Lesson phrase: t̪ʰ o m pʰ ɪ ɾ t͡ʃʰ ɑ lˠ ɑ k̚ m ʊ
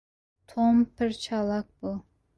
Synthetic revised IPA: t̪ʰ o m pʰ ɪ ɾ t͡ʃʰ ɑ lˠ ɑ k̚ b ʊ